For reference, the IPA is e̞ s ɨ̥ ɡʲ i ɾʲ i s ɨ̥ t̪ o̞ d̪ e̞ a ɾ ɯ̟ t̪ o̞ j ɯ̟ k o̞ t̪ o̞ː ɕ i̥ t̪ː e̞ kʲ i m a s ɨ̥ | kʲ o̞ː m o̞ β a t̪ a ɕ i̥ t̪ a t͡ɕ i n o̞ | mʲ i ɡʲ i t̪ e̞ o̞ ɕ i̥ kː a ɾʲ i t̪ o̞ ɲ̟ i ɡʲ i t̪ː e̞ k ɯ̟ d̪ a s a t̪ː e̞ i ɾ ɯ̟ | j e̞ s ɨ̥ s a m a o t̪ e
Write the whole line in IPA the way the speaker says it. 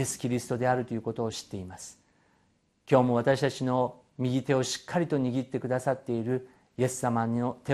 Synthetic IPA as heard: e̞ s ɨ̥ kʲ i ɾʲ i s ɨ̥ t̪ o̞ d̪ e̞ a ɾ ɯ̟ t̪ o̞ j ɯ̟ k o̞ t̪ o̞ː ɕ i̥ t̪ː e̞ i m a s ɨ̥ | kʲ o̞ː m o̞ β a t̪ a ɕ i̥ t̪ a t͡ɕ i n o̞ | mʲ i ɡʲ i t̪ e̞ o̞ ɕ i̥ kː a ɾʲ i t̪ o̞ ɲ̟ i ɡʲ i t̪ː e̞ k ɯ̟ d̪ a s a t̪ː e̞ i ɾ ɯ̟ | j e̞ s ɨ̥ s a m a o t̪ e